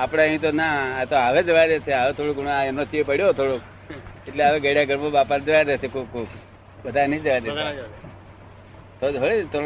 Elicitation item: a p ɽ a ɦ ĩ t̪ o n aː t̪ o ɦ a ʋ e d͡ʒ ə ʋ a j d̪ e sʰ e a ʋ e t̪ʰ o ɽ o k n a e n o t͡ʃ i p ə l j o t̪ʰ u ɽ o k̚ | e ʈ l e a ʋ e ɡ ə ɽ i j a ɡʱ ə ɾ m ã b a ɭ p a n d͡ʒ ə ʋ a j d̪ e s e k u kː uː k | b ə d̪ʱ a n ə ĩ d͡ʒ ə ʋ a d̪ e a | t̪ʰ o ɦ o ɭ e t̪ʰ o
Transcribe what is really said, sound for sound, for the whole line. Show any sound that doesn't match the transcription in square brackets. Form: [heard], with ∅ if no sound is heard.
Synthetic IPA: a p ɽ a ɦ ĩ t̪ o n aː t̪ o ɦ a ʋ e d͡ʒ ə ʋ a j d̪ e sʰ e a ʋ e t̪ʰ o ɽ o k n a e n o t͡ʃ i p ə [ɽ] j o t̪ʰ [o] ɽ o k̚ | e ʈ l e a ʋ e ɡ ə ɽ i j a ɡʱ ə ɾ m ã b a [∅] p a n d͡ʒ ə ʋ a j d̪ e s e k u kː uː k | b ə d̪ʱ a n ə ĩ d͡ʒ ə ʋ a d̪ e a | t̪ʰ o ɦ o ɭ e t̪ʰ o